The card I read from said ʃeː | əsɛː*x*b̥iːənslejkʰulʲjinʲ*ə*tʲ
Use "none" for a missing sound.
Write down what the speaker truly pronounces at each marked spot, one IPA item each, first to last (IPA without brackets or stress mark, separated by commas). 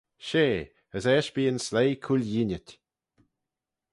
ʃ, ə